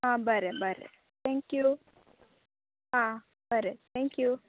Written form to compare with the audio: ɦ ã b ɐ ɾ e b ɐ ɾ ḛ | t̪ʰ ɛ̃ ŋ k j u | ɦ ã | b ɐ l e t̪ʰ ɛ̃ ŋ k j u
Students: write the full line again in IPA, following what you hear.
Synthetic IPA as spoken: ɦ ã b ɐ ɾ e b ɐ ɾ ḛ | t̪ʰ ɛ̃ ŋ k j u | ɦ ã | b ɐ ɾ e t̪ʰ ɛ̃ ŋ k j u

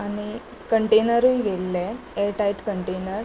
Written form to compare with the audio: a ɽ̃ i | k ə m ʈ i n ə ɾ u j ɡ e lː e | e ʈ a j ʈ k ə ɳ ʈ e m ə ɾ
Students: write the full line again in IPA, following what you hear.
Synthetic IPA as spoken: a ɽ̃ i | k ə ɳ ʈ e n ə ɾ u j ɡ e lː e | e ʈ a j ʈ k ə ɳ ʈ e n ə ɾ

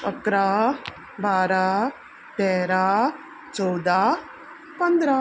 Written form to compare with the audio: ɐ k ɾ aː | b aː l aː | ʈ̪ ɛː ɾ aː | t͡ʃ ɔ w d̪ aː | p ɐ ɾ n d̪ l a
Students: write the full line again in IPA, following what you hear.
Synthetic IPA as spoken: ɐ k ɾ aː | b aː ɾ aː | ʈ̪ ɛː ɾ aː | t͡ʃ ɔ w d̪ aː | p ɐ n d̪ ɾ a

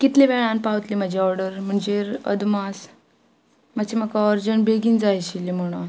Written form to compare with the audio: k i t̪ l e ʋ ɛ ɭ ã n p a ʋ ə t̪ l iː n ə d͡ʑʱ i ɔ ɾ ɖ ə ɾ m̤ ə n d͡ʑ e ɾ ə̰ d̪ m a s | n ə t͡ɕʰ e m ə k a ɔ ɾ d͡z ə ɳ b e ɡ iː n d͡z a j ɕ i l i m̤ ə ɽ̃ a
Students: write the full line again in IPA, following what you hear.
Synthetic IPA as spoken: k i t̪ l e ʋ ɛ ɭ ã n p a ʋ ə t̪ l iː m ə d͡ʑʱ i ɔ ɾ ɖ ə ɾ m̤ ə ɳ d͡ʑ e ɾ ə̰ d̪ m a s | m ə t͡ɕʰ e m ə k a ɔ ɾ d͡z ə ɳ b e ɡ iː n d͡z a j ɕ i l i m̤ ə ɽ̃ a

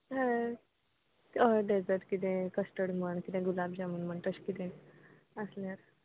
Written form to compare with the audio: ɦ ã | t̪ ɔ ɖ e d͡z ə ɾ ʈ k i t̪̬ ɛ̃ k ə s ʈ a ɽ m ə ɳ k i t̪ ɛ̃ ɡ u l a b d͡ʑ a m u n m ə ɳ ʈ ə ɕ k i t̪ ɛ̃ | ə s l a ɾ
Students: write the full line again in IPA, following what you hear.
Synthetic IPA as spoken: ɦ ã | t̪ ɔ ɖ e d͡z ə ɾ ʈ k i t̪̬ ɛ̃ k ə s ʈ ə ɽ m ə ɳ k i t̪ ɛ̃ ɡ u l a b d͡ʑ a m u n m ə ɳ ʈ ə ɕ k i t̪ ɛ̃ | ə s l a ɾ

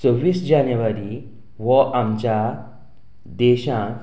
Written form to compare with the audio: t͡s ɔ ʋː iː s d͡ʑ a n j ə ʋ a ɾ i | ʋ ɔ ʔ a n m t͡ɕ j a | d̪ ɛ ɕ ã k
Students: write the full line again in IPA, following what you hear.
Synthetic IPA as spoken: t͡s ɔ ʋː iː s d͡ʑ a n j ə ʋ a ɾ i | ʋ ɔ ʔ a m t͡ɕ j a | d̪ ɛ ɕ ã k

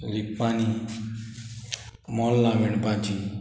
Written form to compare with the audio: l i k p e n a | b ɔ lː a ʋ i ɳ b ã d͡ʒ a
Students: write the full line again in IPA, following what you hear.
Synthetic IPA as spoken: l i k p a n i | m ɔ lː a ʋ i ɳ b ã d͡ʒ i

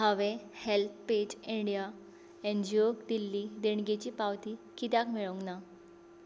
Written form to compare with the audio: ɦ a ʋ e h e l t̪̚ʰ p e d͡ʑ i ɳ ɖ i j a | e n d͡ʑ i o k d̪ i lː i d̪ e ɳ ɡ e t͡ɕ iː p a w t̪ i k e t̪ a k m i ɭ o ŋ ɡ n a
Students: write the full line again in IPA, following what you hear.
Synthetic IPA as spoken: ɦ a ʋ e h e l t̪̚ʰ p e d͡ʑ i ɳ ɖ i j a | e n d͡ʑ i o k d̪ i lː i d̪ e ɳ ɡ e t͡ɕ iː p a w t̪ i k i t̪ a k m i ɭ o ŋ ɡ n a

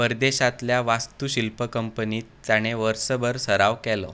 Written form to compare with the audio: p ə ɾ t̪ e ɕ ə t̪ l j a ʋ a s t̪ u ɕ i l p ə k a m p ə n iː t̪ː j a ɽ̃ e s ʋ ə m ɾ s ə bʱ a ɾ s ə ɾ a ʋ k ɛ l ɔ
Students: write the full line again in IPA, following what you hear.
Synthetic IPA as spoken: p ə ɾ d̪ e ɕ a t̪ l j a ʋ a s t̪ u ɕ i l p ə k ə m p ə n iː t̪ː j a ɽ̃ e ʋ ə ɾ s ə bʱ ə ɾ s ə ɾ a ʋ k ɛ l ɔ

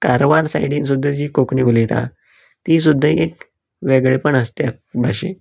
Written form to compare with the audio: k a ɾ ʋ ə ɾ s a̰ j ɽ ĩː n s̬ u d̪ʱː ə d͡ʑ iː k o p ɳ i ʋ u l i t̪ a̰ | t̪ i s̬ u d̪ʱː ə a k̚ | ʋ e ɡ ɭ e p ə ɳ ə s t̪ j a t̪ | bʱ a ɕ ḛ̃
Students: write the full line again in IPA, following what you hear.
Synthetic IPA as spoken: k a ɾ ʋ a ɾ s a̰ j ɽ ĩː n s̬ u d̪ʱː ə d͡ʑ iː k o k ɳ i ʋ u l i t̪ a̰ | t̪ i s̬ u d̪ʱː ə e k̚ | ʋ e ɡ ɭ e p ə ɳ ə s t̪ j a | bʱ a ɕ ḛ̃

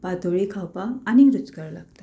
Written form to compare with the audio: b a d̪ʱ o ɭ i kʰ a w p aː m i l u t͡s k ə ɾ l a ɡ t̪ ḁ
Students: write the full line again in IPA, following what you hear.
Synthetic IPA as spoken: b a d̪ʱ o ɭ i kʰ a w p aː n i ɾ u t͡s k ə ɾ l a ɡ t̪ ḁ

